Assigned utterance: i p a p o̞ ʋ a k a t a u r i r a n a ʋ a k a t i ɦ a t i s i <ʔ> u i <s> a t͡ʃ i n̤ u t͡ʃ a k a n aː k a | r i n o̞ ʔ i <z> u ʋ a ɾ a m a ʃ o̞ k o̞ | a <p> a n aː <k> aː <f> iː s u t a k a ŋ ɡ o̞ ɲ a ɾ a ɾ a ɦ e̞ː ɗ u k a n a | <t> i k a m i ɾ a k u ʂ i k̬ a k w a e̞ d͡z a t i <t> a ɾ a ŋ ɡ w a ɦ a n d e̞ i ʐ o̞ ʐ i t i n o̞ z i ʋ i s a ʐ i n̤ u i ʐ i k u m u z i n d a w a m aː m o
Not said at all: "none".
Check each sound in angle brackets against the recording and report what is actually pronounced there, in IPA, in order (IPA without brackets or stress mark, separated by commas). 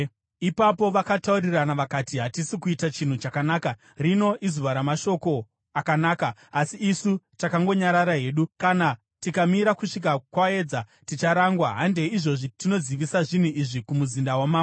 k, t, z, k, k, s, t, t͡ʃ